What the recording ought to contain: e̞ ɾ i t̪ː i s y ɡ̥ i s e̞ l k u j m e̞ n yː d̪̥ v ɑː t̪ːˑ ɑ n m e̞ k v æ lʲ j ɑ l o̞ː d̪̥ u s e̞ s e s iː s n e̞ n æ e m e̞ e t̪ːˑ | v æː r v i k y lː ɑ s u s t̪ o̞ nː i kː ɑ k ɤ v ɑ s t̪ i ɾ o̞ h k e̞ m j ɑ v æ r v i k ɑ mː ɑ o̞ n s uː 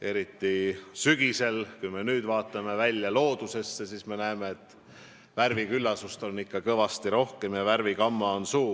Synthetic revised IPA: e̞ ɾ i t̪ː i s y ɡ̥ i s e̞ l k u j m e̞ n yː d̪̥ v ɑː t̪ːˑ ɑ m e̞ v æ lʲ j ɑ l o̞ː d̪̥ u s e̞ sː e s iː s m e̞ n æ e m e̞ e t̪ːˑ | v æ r v i k y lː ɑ s u s t̪ o̞ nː i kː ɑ k ɤ v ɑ s t̪ i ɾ o̞ h k e̞ m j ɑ v æ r v i k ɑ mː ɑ o̞ n s uː